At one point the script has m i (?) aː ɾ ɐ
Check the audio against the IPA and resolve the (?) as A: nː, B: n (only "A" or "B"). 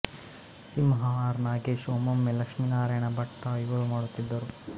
B